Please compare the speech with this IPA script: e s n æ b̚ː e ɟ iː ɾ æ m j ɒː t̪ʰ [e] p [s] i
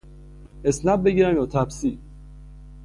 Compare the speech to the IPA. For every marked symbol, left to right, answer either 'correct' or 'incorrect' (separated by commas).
incorrect, correct